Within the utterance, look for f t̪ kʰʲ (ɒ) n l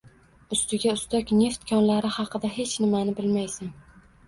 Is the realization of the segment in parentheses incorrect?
no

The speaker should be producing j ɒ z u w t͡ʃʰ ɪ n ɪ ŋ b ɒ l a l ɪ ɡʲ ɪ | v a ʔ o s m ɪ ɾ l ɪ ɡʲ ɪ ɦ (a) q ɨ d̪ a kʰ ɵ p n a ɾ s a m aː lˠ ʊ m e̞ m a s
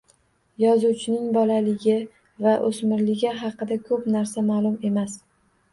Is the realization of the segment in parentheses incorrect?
yes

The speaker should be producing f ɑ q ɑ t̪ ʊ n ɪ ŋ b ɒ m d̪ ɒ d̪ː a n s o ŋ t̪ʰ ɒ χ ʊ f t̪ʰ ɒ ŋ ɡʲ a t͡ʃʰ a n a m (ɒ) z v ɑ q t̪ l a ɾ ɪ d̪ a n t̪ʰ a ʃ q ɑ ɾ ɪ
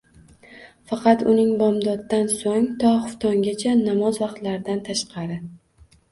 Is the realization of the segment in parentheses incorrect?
no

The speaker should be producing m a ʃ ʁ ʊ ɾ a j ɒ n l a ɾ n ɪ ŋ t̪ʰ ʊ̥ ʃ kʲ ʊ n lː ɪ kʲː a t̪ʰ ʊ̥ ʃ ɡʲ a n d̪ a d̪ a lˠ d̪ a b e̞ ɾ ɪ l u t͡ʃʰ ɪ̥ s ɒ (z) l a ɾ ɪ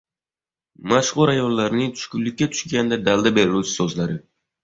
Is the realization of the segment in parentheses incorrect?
no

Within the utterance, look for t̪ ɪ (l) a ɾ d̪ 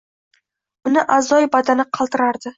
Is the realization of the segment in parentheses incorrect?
yes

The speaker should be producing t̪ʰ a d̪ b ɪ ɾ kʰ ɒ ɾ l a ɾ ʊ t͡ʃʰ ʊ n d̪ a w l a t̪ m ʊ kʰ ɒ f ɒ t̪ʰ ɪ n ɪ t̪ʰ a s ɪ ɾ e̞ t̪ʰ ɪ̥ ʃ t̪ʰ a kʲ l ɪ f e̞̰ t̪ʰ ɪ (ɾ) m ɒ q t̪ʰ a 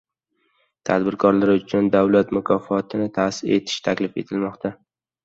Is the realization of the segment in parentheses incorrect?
yes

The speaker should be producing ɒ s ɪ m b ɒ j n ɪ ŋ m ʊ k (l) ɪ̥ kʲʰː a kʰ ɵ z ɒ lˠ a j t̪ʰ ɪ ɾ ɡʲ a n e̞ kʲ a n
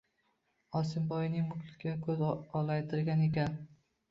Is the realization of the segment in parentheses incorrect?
no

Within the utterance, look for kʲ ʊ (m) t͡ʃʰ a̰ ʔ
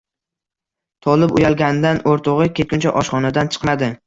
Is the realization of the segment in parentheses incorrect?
yes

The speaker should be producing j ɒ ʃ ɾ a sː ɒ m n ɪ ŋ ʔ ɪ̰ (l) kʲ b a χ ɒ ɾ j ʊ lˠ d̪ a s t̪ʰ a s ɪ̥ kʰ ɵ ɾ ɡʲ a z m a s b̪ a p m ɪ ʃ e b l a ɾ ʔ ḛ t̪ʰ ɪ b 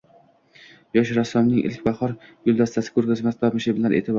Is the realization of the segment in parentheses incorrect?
no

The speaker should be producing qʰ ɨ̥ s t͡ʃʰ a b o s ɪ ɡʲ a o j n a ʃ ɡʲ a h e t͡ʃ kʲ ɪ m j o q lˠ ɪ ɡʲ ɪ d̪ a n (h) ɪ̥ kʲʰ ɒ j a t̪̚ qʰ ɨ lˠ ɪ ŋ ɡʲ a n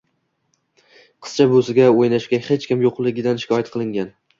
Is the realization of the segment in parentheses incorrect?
yes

